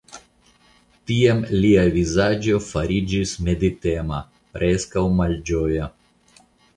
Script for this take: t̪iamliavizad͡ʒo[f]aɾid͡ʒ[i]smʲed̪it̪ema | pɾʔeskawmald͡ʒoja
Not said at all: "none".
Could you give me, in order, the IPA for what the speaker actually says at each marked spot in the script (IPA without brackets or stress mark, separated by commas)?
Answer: f, i